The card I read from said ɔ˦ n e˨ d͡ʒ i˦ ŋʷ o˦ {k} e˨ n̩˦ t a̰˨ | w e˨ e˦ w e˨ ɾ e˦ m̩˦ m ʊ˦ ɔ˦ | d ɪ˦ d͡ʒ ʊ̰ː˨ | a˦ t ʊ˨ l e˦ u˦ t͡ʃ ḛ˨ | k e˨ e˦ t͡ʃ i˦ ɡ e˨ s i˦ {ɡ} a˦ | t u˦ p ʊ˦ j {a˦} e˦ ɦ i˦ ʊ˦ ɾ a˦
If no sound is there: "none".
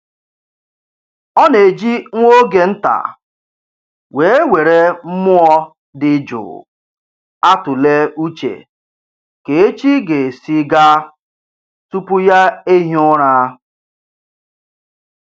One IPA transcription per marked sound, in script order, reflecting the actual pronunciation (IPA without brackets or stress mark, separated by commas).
ɡ, ɡ, a˦